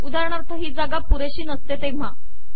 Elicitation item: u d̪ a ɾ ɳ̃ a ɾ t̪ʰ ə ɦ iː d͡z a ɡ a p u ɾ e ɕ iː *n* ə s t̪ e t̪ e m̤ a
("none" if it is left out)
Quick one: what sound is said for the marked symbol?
n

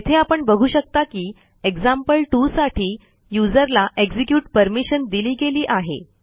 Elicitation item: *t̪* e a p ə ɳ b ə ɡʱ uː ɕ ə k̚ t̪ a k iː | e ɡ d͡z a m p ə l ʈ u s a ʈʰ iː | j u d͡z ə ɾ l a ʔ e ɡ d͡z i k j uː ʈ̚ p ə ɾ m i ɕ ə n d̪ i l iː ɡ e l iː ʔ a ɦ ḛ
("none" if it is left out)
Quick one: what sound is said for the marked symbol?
t̪ʰ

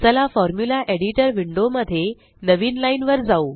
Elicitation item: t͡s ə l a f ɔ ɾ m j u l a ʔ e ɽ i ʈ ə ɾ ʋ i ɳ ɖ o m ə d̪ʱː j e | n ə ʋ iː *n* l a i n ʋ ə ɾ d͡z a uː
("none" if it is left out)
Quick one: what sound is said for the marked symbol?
n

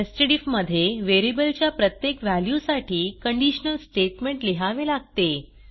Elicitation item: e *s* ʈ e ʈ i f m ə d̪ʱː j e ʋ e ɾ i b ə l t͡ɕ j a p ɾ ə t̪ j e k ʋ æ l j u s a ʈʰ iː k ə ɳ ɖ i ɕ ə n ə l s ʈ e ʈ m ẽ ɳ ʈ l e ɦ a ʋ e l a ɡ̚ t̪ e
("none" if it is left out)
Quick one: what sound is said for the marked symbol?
s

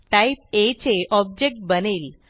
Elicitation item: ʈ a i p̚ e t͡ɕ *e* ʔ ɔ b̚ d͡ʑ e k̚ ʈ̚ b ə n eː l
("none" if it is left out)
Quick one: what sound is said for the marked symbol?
e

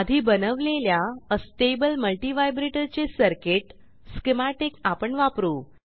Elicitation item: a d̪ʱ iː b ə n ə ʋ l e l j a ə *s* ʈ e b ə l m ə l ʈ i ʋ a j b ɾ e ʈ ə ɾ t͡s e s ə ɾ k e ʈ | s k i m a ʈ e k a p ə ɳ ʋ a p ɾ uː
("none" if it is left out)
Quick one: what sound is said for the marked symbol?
s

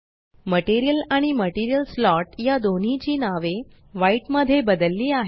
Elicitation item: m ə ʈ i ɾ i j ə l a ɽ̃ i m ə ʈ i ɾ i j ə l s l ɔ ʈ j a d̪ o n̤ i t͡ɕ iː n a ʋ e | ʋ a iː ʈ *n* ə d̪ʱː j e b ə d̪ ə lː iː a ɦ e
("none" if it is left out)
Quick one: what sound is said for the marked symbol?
m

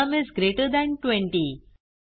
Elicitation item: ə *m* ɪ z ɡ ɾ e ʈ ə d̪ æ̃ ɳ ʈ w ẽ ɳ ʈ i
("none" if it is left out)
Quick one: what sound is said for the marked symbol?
m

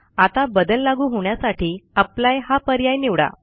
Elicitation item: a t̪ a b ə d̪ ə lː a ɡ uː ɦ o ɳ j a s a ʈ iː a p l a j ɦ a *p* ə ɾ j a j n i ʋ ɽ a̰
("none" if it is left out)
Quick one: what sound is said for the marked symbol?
p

